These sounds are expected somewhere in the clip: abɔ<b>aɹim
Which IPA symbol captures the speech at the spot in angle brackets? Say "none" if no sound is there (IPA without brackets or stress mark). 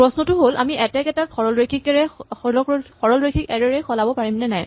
p